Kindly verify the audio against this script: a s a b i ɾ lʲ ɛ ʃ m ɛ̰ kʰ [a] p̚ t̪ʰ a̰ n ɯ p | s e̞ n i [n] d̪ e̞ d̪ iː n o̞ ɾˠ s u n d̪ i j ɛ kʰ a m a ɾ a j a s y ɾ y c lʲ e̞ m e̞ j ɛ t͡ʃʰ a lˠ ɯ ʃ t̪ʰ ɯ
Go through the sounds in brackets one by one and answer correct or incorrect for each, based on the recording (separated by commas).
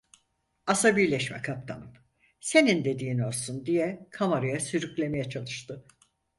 correct, correct